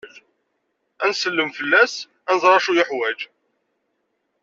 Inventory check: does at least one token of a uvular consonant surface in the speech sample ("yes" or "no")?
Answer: no